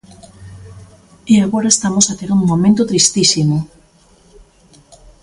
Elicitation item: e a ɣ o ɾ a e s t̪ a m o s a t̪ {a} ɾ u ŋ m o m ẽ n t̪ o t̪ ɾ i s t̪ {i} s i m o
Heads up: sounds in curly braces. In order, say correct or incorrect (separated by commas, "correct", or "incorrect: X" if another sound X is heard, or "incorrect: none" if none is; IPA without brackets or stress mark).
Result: incorrect: e, correct